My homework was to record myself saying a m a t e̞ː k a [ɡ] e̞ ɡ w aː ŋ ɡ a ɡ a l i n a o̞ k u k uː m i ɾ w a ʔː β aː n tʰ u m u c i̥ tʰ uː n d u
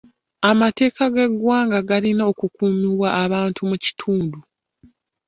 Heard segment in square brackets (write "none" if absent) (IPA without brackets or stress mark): ɡ